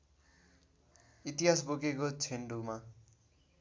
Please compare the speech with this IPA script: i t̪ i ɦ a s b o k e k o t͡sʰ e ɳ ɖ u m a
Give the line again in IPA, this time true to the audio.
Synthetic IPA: i t̪ i ɦ a s b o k e k o t͡sʰ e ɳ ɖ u m a